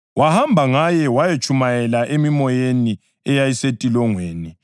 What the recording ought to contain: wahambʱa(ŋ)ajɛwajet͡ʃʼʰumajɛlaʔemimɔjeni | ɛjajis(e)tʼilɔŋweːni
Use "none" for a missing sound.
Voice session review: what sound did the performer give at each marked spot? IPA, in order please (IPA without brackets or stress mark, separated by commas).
ŋ, e